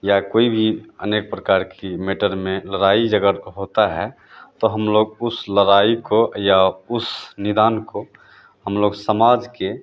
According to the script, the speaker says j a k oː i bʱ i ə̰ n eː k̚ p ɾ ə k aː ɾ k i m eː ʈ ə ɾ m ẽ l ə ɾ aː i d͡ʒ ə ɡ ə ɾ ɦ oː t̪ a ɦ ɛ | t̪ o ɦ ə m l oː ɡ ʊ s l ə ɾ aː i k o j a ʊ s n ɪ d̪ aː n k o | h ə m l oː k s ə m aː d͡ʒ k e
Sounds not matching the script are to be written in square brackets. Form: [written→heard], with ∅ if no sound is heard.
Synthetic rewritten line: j a k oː i bʱ i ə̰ n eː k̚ p ɾ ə k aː ɾ k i m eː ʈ ə ɾ m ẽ l ə ɾ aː i d͡ʒ ə ɡ ə ɾ ɦ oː t̪ a ɦ ɛ | t̪ o ɦ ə m l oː ɡ ʊ s l ə ɾ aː i k o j a ʊ s n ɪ d̪ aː n k o | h ə m l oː [k→ɡ] s ə m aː d͡ʒ k e